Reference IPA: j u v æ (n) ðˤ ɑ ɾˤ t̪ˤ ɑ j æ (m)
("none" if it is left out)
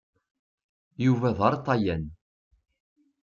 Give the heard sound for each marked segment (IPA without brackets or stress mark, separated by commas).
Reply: none, n